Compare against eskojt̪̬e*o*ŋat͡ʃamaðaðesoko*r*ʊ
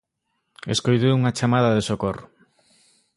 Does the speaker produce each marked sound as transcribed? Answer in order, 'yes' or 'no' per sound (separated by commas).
no, yes